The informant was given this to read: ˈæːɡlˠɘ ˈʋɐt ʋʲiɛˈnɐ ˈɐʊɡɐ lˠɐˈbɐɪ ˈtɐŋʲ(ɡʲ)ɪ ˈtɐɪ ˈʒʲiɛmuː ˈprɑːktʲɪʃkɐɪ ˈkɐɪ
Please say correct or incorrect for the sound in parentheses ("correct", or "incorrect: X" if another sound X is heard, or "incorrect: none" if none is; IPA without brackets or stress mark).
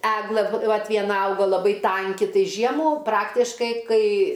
incorrect: kʲ